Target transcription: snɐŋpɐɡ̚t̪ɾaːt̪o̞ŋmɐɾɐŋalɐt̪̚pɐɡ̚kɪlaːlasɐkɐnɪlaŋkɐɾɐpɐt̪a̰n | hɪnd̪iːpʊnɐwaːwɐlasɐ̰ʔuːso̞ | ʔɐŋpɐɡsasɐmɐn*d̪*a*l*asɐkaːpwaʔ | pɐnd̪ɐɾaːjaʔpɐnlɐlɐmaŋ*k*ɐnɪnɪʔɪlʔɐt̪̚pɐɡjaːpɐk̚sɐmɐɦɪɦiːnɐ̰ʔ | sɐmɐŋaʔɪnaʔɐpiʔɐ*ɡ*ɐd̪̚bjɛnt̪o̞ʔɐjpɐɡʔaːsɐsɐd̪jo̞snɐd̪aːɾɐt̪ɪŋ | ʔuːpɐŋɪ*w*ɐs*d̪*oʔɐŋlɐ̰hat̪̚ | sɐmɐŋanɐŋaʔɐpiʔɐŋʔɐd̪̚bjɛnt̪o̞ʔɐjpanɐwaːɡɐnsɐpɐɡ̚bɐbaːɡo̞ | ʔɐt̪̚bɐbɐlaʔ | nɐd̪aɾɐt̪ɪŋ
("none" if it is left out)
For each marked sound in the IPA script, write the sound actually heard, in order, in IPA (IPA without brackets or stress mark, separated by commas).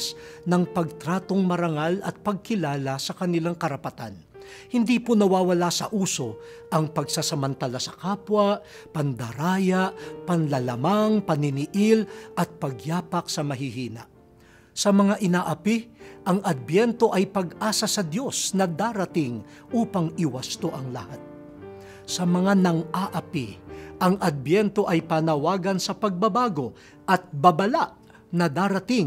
t̪, l, p, ŋ, w, t̪